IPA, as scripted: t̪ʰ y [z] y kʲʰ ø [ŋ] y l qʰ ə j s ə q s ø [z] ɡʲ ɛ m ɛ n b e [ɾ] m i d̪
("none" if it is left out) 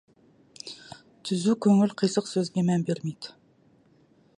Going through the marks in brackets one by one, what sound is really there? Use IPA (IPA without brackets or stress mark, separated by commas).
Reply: z, ŋ, z, ɾ